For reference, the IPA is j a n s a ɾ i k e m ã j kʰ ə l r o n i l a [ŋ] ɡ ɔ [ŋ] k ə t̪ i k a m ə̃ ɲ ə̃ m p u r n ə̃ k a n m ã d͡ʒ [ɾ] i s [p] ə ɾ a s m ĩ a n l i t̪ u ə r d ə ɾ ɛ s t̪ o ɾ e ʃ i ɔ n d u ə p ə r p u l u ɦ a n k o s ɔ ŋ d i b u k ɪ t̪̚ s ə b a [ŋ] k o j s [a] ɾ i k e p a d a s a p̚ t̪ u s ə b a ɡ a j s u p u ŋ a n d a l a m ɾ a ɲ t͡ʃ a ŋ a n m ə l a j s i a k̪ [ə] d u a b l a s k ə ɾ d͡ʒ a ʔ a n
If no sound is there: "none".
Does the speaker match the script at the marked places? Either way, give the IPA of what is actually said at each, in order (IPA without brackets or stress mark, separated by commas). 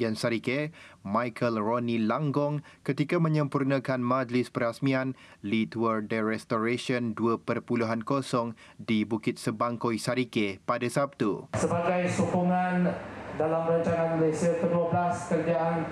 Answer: ŋ, ŋ, l, p, ŋ, a, ə